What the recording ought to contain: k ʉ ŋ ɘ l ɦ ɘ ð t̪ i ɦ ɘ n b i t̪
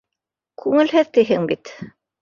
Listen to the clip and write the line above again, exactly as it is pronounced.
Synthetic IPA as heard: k ʉ ŋ ɘ l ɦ ɘ ð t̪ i ɦ ɘ ŋ b i t̪